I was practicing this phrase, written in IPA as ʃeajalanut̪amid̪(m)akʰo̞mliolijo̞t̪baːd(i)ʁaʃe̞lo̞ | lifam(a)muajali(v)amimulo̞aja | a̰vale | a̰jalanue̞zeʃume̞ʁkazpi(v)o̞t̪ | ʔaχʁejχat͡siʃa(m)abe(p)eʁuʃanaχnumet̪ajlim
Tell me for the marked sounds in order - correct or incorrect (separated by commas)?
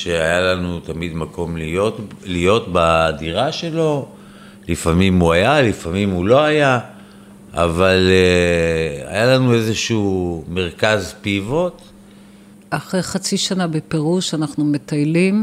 correct, correct, incorrect, incorrect, correct, incorrect, correct